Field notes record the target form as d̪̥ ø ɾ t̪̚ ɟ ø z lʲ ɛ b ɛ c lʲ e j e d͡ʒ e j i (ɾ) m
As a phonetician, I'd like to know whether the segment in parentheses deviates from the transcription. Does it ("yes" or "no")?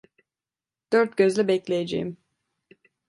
yes